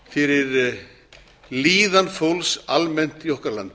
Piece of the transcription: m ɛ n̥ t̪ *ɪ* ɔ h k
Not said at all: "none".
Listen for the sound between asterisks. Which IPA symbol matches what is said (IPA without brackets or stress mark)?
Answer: i